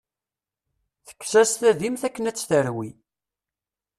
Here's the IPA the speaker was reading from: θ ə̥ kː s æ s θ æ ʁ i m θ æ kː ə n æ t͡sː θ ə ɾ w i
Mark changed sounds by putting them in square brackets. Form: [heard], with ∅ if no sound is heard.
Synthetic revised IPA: θ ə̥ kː s æ s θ æ [ð] i m θ æ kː ə n æ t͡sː θ ə ɾ w i